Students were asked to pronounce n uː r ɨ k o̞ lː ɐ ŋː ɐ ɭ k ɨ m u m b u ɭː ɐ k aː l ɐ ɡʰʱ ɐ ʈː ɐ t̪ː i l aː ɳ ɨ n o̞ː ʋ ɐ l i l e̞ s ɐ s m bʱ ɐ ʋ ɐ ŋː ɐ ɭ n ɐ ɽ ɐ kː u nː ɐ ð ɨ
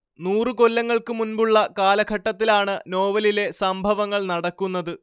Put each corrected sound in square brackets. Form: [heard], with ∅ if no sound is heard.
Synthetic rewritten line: n uː r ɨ k o̞ lː ɐ ŋː ɐ ɭ k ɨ m u [n] b u ɭː ɐ k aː l ɐ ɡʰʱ ɐ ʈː ɐ t̪ː i l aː ɳ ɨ n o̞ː ʋ ɐ l i l e̞ s ɐ [∅] m bʱ ɐ ʋ ɐ ŋː ɐ ɭ n ɐ ɽ ɐ kː u nː ɐ ð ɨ